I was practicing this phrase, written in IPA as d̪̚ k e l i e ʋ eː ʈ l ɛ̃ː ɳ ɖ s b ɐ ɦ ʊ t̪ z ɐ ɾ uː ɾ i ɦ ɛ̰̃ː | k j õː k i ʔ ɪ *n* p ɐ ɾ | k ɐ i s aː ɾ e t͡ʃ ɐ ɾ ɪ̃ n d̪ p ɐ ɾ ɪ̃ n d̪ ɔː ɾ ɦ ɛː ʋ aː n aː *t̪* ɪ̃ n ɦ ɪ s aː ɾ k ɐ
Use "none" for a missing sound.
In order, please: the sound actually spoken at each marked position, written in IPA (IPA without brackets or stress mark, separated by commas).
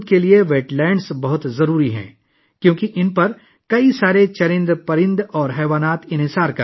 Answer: n, t̪